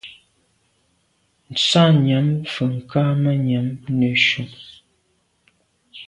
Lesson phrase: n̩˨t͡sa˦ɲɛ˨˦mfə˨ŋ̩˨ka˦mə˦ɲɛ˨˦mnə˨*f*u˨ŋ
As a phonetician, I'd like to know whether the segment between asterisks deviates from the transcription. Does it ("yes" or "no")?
yes